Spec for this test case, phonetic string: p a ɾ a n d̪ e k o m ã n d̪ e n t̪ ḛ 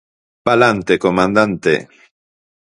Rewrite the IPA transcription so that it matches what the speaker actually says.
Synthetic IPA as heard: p a l a n t̪ e k o m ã n d̪ a n t̪ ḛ